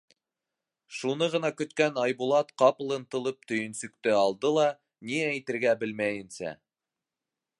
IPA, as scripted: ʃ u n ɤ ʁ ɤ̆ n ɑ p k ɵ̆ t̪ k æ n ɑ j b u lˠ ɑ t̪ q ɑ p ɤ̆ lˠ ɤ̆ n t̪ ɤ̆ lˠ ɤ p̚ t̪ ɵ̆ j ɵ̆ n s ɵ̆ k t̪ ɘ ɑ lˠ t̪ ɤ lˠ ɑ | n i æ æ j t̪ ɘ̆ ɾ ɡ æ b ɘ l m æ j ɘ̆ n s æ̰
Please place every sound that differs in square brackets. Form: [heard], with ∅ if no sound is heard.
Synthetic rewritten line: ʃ u n ɤ ʁ ɤ̆ n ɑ [∅] k ɵ̆ t̪ k æ n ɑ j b u lˠ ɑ t̪ q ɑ p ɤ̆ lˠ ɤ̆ n t̪ ɤ̆ lˠ ɤ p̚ t̪ ɵ̆ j ɵ̆ n s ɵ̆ k t̪ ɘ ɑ lˠ [d̪] ɤ lˠ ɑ | n i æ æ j t̪ ɘ̆ ɾ ɡ æ b ɘ l m æ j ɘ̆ n s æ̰